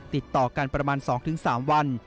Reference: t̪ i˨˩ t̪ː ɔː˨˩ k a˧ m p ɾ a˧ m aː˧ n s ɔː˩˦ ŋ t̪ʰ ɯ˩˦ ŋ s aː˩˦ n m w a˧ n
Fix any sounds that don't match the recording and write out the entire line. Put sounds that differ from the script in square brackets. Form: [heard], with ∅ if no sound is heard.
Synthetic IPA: t̪ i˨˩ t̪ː ɔː˨˩ k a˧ [n] p ɾ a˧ m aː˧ n s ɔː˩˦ ŋ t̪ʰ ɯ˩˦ ŋ s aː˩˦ [∅] m w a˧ n